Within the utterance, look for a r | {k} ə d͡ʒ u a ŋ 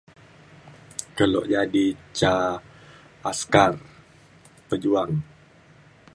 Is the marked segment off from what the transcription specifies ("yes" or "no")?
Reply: yes